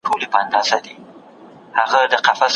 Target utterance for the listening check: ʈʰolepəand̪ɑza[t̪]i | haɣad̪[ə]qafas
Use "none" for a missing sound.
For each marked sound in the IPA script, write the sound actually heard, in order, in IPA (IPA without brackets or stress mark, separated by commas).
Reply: d̪, ə